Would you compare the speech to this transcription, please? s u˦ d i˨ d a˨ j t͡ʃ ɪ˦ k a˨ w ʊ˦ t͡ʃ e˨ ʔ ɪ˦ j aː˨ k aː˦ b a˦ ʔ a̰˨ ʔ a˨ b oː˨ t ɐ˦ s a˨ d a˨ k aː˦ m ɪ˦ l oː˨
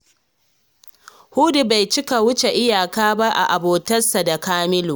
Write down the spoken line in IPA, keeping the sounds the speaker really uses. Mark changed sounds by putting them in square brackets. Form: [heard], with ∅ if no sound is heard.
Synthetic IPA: [h] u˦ d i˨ [b] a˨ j t͡ʃ ɪ˦ k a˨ w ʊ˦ t͡ʃ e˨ ʔ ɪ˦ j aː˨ k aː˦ b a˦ ʔ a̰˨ ʔ a˨ b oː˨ t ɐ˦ s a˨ d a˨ k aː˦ m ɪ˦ l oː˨